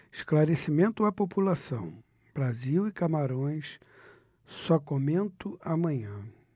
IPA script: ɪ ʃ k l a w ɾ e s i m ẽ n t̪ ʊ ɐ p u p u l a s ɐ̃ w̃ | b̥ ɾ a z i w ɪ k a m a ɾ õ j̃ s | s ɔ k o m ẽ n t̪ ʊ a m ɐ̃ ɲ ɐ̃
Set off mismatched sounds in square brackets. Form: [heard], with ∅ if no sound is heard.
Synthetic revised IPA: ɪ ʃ k l a [∅] ɾ e s i m ẽ n t̪ ʊ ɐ p [o] p u l a s ɐ̃ w̃ | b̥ ɾ a z i w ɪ k a m a ɾ õ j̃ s | s ɔ k o m ẽ n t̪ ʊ a m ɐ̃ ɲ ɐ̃